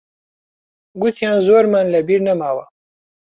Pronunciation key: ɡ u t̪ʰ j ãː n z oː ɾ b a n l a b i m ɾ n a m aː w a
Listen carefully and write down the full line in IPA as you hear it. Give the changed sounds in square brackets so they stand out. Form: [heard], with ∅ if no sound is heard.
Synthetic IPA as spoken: ɡ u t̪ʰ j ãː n z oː ɾ [m] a n l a b i [∅] ɾ n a m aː w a